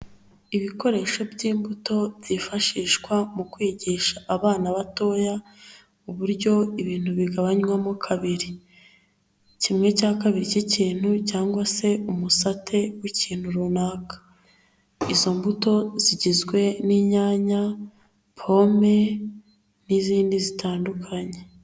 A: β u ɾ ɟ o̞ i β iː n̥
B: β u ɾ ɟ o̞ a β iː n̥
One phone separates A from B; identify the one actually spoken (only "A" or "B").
A